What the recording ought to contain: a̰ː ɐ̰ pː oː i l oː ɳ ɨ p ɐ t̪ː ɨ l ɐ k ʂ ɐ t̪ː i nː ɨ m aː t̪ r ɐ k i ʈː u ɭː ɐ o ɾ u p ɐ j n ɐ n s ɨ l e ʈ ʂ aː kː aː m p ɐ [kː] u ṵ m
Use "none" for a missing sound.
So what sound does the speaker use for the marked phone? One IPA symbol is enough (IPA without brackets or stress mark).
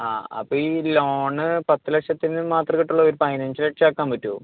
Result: tː